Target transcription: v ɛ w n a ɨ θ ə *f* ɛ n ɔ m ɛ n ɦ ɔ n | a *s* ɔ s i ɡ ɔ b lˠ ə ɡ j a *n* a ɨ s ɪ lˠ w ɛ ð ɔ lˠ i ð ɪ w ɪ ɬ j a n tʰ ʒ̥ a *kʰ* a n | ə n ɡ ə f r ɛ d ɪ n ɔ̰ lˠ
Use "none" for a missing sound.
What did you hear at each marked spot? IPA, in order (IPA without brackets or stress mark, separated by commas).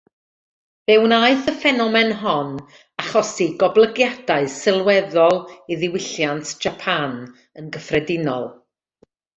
f, χ, d, pʰ